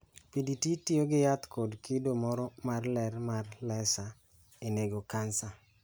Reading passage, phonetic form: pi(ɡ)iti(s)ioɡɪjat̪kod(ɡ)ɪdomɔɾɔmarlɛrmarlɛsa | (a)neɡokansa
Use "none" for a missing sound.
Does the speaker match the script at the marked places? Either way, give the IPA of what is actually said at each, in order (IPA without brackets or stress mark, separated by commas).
d, t, k, e